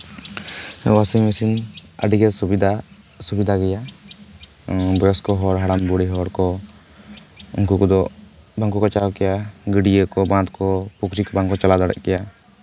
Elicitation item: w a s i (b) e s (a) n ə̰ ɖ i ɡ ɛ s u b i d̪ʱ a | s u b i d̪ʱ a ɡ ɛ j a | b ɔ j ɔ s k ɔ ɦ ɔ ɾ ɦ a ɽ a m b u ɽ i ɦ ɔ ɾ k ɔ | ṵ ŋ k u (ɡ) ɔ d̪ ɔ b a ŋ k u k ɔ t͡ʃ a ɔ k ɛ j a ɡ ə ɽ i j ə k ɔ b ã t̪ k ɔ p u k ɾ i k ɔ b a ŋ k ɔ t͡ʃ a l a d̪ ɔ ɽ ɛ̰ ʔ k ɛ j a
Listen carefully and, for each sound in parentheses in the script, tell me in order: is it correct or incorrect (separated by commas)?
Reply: incorrect, incorrect, incorrect